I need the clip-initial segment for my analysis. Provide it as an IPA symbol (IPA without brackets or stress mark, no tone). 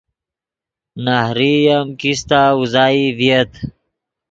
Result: n